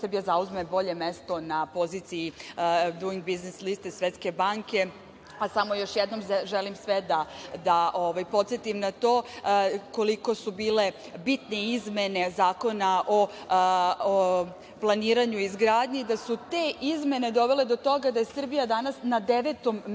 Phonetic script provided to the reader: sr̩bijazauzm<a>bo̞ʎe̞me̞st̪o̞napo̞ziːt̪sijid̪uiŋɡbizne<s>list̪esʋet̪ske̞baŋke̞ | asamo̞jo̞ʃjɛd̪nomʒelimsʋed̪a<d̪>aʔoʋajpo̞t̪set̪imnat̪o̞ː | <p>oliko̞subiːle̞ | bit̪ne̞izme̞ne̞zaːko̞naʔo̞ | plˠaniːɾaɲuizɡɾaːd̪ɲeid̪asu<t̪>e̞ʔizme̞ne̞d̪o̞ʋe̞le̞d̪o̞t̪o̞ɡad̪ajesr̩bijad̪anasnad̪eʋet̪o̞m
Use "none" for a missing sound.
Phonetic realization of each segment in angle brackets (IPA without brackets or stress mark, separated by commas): e, s, d̪, k, t̪